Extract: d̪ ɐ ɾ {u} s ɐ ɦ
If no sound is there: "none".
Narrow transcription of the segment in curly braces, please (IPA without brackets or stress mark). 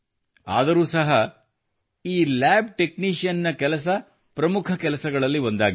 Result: uː